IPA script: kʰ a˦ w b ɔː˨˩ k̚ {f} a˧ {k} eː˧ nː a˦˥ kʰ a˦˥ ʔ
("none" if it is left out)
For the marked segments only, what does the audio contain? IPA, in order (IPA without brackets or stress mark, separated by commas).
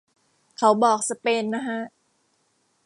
s, p